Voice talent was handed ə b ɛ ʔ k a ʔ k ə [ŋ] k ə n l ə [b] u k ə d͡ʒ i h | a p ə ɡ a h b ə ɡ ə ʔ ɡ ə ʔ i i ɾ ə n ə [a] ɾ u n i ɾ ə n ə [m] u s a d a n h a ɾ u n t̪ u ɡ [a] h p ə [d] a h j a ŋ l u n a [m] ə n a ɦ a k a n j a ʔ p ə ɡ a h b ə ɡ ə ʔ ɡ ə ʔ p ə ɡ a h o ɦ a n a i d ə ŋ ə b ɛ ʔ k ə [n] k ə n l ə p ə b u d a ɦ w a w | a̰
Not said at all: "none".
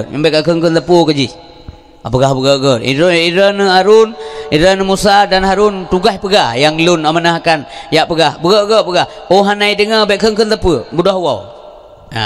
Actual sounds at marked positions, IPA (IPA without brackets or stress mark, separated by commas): ŋ, p, a, m, a, ɡ, m, ŋ